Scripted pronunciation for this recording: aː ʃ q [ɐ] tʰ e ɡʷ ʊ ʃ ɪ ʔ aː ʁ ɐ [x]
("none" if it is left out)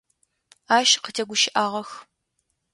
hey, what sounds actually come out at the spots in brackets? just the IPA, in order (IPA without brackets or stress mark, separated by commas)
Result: ə, x